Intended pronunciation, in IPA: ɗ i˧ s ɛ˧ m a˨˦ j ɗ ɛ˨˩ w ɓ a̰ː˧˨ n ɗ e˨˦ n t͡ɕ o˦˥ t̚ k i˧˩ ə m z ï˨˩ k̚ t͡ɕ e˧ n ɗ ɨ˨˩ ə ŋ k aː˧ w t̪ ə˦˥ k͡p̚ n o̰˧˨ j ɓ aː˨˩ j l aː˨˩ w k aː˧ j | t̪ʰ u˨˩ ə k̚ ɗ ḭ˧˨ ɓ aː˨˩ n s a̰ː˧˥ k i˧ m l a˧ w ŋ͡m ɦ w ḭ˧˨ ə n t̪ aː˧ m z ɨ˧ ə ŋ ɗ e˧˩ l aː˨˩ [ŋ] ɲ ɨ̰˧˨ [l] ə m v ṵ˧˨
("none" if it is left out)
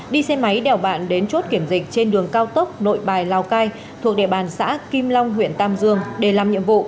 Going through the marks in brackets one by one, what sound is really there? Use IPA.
m, none

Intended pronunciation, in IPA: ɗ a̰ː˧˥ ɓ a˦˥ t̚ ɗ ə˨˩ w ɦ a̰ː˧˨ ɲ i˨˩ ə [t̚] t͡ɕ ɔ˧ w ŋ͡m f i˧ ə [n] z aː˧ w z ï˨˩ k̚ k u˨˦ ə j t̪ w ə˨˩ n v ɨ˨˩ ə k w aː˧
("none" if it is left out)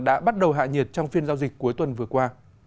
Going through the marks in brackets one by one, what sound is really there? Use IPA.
t̚, n

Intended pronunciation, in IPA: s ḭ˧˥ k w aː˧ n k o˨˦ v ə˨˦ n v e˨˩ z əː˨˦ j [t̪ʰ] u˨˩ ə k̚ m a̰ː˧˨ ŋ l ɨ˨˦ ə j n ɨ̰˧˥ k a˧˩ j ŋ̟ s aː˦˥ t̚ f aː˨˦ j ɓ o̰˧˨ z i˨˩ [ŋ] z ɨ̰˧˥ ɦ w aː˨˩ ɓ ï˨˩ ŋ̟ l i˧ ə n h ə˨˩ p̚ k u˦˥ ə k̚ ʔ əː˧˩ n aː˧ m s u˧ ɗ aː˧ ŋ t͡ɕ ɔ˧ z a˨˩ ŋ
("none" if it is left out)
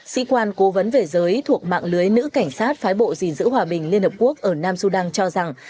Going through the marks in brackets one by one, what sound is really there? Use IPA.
t̪ʰ, n

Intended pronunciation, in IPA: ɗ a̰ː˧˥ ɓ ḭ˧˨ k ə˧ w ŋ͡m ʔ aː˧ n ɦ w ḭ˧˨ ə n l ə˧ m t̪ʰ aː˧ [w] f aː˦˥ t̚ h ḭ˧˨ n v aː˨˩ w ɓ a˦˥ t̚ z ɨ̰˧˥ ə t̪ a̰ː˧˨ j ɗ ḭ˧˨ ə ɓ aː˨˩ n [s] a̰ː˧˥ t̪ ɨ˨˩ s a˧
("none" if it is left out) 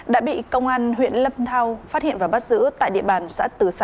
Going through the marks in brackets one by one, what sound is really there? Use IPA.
w, s

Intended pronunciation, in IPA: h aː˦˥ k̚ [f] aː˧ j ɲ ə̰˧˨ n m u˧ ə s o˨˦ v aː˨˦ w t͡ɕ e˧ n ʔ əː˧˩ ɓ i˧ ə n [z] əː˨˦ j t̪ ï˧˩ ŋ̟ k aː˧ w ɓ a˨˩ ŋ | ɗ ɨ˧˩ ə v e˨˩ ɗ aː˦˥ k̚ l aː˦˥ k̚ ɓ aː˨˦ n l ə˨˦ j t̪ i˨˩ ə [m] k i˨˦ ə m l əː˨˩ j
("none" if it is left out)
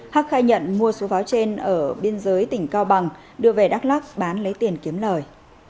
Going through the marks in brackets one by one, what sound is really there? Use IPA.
x, z, n

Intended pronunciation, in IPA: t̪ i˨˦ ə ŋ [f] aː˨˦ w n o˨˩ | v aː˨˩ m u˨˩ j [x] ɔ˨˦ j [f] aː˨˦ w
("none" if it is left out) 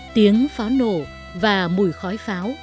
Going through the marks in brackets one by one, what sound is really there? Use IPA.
f, x, f

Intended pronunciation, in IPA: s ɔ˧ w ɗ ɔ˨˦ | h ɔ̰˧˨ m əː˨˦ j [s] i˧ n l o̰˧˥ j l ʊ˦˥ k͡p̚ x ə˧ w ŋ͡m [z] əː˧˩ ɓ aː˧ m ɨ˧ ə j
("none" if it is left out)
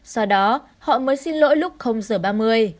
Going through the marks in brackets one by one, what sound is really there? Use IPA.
s, z

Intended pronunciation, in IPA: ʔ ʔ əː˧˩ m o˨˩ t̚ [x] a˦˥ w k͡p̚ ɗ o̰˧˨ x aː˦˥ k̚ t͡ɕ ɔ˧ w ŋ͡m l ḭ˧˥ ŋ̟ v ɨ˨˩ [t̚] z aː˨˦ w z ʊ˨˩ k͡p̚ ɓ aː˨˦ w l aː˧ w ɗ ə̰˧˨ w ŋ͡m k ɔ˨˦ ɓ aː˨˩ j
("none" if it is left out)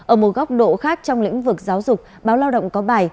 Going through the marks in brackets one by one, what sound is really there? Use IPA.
ɣ, k̚

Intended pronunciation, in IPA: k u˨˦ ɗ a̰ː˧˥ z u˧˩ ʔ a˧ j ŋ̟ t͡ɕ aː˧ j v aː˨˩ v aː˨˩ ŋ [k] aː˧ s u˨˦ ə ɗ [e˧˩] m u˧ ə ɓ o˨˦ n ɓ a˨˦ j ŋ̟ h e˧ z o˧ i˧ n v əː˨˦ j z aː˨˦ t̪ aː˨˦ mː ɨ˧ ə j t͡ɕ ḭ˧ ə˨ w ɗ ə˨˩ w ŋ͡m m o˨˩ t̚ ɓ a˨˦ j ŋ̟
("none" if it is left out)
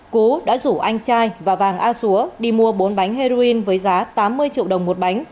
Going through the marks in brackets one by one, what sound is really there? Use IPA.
ʔ, i˧˩

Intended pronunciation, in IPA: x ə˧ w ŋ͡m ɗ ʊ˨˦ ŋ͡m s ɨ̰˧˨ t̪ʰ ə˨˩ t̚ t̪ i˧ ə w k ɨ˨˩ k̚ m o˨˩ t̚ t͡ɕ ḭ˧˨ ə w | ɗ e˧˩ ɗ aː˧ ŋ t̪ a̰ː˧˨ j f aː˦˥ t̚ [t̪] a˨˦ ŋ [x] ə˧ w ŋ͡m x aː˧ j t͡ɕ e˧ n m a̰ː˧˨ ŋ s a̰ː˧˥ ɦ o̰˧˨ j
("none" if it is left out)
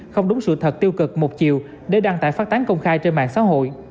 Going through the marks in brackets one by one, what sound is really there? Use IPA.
t̪, k

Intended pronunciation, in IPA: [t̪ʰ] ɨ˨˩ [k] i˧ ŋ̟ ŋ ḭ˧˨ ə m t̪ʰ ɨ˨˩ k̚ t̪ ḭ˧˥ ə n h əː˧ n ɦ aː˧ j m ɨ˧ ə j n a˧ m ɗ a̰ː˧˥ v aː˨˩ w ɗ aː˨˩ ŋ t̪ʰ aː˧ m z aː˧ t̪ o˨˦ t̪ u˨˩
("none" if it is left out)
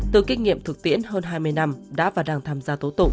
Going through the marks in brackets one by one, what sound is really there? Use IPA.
t̪, k

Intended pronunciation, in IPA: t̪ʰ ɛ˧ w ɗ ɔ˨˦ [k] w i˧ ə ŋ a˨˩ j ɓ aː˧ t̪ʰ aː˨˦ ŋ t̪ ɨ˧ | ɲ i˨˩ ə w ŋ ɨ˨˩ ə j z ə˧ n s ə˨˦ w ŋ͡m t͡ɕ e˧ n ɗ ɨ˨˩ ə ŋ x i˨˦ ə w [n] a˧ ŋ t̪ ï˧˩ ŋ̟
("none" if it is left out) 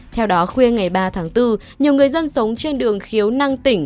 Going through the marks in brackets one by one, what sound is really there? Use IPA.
x, n

